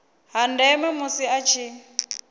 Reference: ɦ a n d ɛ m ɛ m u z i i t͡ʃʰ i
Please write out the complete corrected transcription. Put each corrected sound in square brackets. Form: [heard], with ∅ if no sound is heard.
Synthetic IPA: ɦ a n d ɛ m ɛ m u [s] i [a] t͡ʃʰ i